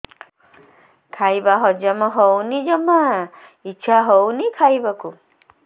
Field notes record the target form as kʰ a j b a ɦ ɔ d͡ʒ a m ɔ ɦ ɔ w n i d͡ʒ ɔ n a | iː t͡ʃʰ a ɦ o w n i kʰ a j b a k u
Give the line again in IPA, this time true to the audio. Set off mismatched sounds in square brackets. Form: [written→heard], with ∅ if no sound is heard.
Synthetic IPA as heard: kʰ a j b a ɦ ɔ d͡ʒ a m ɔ ɦ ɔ w n i d͡ʒ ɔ [n→m] a | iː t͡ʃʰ a ɦ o w n i kʰ a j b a k u